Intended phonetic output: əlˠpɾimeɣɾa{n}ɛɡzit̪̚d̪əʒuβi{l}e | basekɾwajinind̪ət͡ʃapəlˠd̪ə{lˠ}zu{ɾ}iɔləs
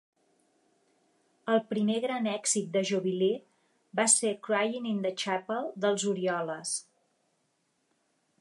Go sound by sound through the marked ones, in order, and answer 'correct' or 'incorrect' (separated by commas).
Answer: correct, correct, correct, correct